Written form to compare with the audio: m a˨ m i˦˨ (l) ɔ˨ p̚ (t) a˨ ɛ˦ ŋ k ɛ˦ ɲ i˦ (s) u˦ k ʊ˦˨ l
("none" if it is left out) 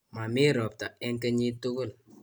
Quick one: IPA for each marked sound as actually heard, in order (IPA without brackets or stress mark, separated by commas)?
ɾ, t, t